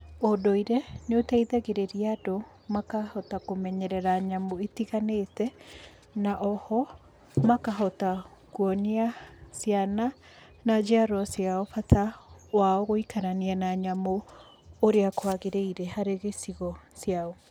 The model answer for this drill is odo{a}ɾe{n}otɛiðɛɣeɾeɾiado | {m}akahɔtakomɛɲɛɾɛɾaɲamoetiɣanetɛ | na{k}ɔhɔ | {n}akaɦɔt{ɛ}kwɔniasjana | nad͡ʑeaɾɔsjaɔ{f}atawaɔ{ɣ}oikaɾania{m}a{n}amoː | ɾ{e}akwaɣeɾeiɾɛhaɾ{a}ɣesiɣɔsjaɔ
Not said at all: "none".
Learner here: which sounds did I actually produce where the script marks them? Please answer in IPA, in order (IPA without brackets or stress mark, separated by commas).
i, n, m, ʔ, m, a, f, ɣ, n, ɲ, e, e